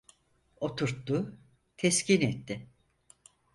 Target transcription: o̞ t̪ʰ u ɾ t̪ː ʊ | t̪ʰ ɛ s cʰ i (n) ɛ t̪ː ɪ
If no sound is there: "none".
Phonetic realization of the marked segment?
n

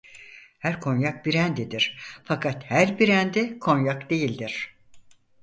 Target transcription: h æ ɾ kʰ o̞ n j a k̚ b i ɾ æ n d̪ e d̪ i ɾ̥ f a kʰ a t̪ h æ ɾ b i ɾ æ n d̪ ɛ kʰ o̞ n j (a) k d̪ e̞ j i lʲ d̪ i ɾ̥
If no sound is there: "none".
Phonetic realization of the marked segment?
a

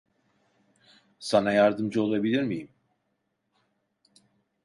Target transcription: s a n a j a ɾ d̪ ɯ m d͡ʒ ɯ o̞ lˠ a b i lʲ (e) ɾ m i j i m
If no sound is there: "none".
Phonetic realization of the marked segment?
i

